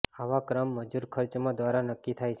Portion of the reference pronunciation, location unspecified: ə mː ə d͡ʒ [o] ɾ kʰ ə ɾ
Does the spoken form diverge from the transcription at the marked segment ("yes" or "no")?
yes